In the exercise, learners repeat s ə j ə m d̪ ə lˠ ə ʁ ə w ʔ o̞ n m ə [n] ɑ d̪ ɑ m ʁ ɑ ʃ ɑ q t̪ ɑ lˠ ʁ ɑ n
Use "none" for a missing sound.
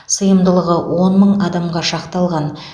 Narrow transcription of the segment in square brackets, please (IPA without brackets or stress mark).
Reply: ɴ